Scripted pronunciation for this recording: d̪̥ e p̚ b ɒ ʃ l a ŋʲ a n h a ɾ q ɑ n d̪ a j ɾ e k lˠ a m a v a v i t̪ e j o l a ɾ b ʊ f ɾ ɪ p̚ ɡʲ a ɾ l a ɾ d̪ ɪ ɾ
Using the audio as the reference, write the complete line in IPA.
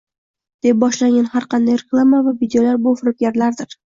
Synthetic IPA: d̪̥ e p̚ b ɒ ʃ l a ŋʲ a n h a ɾ q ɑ n d̪ a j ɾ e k lˠ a m a v a v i d̪ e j o l a ɾ b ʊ f ɾ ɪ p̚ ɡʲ a ɾ l a ɾ d̪ ɪ ɾ